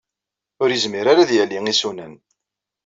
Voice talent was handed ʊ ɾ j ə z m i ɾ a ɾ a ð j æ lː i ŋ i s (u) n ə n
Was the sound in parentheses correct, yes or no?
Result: yes